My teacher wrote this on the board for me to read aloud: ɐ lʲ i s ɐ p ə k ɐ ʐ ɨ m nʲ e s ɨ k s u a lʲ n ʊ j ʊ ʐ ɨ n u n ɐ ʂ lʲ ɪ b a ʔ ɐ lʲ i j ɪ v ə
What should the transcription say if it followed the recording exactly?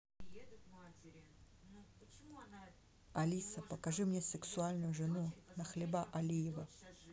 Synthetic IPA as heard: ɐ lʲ i s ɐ p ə k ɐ ʐ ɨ m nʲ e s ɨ k s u a lʲ n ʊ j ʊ ʐ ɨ n u n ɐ x lʲ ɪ b a ʔ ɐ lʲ i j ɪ v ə